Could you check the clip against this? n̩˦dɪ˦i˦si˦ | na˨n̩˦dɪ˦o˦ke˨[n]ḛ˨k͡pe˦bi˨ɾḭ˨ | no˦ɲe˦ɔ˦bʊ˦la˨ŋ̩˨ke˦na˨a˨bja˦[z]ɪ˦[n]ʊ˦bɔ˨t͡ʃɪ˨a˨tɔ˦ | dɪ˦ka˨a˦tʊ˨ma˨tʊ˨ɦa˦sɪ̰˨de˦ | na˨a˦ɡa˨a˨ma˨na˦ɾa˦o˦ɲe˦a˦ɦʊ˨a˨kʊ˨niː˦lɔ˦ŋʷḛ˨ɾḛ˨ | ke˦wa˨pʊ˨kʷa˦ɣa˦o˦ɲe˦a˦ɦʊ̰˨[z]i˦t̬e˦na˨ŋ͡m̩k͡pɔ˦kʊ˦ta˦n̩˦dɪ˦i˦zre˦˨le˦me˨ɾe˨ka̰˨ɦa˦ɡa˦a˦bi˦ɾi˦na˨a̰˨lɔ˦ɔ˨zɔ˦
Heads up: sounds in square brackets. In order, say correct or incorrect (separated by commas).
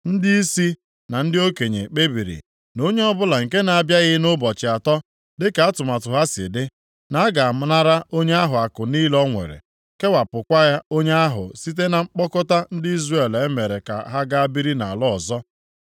incorrect, incorrect, correct, incorrect